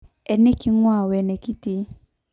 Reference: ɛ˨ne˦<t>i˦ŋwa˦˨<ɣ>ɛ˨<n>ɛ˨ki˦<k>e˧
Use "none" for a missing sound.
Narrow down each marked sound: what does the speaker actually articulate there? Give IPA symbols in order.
k, w, n, t

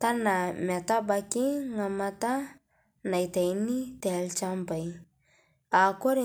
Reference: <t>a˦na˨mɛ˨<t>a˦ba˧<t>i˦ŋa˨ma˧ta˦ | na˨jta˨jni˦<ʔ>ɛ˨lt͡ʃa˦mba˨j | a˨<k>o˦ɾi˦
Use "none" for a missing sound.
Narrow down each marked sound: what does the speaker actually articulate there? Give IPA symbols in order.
t, t, k, t, k

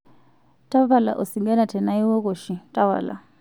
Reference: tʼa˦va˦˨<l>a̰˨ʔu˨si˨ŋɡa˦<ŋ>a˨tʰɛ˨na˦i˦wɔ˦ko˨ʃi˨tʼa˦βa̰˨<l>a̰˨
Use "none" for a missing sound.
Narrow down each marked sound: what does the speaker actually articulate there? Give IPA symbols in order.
l, n, l

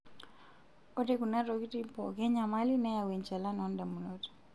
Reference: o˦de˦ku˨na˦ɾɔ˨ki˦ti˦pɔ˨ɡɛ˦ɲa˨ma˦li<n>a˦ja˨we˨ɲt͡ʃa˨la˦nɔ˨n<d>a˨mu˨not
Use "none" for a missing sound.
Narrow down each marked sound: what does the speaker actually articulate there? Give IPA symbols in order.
n, d

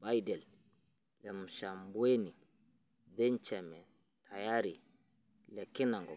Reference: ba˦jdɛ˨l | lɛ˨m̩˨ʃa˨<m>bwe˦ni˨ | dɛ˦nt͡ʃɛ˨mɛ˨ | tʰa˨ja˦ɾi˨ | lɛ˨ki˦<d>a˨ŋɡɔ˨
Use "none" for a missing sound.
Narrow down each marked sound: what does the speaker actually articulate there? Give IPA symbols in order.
m, n

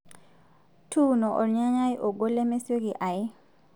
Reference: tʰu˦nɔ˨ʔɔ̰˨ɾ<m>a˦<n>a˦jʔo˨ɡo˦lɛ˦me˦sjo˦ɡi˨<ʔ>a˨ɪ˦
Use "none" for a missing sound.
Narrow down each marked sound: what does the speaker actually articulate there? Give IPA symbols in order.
ɲ, ɲ, ʔ

